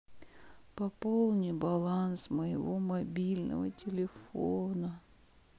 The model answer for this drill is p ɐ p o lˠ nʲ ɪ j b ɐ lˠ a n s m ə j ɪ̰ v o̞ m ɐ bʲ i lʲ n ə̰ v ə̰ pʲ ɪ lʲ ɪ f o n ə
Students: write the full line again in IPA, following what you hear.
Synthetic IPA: p ɐ p o lˠ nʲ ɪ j b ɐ lˠ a n s m ə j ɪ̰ v o̞ m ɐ bʲ i lʲ n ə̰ v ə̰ tʲ ɪ lʲ ɪ f o n ə